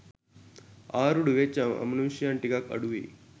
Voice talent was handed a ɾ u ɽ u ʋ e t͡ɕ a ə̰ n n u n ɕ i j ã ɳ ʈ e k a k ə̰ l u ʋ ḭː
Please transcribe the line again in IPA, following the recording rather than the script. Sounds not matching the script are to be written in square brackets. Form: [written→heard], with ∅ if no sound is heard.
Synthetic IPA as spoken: a ɾ u ɽ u ʋ e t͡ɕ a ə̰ [n→m] n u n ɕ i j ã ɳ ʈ [e→i] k a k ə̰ [l→ɽ] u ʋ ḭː

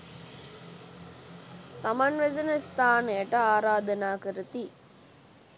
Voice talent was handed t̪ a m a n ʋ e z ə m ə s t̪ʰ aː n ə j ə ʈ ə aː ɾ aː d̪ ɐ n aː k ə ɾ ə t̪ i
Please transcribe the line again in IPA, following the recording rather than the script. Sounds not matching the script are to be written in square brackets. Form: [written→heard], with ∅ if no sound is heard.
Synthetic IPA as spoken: t̪ a m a n ʋ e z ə [m→n] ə s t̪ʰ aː n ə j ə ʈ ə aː ɾ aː d̪ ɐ n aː k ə ɾ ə t̪ i

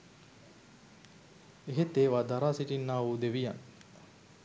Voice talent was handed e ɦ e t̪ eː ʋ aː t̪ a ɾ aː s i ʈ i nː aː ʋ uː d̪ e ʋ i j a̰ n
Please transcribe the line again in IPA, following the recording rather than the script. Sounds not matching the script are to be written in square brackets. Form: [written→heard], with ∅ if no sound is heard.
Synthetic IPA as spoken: e ɦ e t̪ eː ʋ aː [t̪→d̪] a ɾ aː s i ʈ i nː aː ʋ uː d̪ e ʋ i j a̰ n

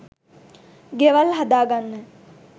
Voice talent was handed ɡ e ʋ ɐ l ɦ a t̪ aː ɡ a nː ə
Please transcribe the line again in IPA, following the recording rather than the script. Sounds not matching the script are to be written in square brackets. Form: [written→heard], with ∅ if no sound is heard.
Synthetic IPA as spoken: ɡ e ʋ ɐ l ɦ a [t̪→d̪] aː ɡ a nː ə

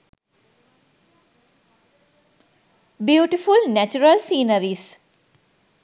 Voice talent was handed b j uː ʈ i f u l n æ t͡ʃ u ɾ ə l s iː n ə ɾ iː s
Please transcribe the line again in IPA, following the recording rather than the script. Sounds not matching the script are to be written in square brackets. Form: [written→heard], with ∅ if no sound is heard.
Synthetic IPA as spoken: b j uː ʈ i f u l n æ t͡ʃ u ɾ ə l s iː n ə ɾ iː s

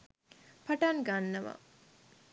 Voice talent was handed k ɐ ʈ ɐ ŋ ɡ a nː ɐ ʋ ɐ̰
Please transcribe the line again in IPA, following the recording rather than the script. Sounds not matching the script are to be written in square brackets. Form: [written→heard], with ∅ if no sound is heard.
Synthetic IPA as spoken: [k→p] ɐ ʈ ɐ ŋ ɡ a nː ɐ ʋ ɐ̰

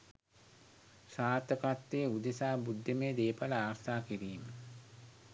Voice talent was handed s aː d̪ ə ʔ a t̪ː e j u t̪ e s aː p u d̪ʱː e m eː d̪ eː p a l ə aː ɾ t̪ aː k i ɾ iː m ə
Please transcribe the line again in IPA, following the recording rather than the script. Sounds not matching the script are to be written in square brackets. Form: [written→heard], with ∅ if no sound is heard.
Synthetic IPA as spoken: s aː [d̪→t̪] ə [ʔ→k] a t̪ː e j u [t̪→d̪] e s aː [p→b] u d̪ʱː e m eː d̪ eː p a l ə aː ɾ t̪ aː k i ɾ iː m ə

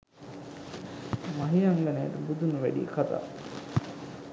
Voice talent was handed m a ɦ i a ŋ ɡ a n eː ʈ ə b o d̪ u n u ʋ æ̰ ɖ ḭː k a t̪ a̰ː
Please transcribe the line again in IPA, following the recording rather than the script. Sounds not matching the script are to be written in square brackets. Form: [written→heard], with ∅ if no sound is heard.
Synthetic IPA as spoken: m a ɦ i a ŋ ɡ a n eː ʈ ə b [o→u] d̪ u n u ʋ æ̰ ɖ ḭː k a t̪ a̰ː

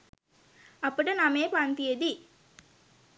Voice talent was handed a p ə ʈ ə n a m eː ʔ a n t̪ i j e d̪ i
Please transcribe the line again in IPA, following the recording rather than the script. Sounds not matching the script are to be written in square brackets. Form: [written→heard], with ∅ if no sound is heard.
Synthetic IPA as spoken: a p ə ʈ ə n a m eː [ʔ→p] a n t̪ i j e d̪ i

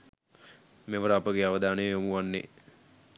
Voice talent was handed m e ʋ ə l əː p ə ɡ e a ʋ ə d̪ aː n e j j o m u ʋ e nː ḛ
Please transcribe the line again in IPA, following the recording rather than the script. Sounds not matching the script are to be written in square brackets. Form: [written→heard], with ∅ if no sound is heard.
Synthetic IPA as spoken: m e ʋ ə [l→ɾ] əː p ə ɡ e a ʋ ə d̪ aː n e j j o m u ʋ [e→a] nː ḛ

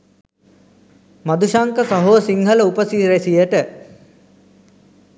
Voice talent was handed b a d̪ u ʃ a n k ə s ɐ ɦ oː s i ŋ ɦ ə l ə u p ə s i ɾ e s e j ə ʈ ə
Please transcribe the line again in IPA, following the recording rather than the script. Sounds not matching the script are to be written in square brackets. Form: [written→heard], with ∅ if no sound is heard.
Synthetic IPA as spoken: [b→m] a d̪ u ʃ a [n→ŋ] k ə s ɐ ɦ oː s i ŋ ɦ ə l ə u p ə s i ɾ e s [e→i] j ə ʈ ə

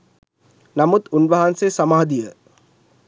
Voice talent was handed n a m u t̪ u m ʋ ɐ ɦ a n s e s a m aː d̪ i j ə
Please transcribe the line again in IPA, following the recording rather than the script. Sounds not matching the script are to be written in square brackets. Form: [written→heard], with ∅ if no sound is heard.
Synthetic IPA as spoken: n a m u t̪ u [m→n] ʋ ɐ ɦ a n s e s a m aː d̪ i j ə

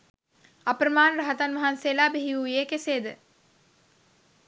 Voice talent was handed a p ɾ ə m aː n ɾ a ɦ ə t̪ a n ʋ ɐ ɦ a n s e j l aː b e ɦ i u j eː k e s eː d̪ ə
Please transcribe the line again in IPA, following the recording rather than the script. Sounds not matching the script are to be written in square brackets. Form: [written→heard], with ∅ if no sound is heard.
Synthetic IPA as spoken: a p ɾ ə m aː n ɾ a ɦ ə t̪ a n ʋ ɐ ɦ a n s e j l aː b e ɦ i u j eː k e s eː d̪ ə

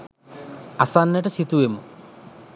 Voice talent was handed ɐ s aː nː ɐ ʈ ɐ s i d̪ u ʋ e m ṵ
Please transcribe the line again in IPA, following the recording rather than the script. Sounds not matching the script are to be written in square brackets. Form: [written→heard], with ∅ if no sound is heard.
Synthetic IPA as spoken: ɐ s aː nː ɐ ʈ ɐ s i [d̪→t̪] u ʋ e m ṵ

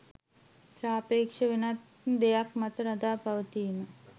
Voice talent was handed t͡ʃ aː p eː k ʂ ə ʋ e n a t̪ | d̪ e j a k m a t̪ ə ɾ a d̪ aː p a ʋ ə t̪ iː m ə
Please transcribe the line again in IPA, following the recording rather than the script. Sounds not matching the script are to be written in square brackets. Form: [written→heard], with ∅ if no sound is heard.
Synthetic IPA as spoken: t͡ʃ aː p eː k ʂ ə ʋ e n a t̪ | d̪ e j a k m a t̪ ə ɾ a d̪ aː p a ʋ ə t̪ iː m ə

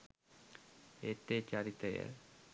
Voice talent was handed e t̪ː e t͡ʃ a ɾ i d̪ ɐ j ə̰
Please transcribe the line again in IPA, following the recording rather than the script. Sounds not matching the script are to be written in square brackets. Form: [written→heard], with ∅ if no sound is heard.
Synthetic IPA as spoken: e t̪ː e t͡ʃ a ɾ i [d̪→t̪] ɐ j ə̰

